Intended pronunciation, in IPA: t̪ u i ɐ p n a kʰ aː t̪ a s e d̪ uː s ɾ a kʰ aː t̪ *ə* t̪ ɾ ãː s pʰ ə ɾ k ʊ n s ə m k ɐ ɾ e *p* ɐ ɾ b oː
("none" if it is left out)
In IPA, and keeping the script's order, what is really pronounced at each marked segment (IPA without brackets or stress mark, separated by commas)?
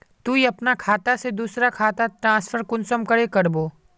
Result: a, k